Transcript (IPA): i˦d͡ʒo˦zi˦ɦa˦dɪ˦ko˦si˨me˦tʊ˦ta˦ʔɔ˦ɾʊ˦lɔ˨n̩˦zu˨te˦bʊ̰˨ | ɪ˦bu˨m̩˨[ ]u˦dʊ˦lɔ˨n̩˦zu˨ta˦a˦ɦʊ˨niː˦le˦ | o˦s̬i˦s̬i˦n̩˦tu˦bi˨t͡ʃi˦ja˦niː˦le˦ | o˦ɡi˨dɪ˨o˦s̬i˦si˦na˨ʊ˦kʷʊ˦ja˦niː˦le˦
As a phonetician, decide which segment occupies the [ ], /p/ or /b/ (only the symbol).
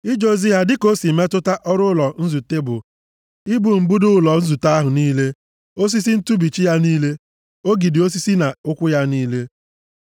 b